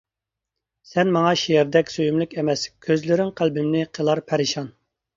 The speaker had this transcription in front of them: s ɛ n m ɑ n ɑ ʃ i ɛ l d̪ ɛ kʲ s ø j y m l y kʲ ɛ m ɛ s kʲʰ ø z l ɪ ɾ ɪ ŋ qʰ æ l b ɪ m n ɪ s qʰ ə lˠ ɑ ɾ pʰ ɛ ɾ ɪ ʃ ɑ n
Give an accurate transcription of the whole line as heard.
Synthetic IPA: s ɛ n m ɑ ŋ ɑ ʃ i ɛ ɾ d̪ ɛ kʲ s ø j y m l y kʲ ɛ m ɛ s kʲʰ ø z l ɪ ɾ ɪ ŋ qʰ æ l b ɪ m n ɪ qʰ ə lˠ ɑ ɾ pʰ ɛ ɾ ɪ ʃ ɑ n